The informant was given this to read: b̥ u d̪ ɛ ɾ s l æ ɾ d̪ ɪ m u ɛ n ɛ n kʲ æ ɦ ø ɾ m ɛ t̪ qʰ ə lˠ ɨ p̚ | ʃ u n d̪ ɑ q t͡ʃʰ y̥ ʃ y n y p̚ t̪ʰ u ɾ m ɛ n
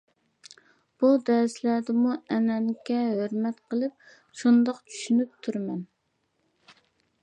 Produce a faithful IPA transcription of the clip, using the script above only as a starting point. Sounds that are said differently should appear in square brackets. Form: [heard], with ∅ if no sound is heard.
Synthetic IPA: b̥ u d̪ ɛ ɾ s l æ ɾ d̪ ɪ m u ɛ n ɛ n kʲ [ɛ] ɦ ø ɾ m ɛ t̪ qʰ ə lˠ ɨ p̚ | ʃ u n d̪ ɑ q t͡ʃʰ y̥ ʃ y n y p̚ t̪ʰ u ɾ m ɛ n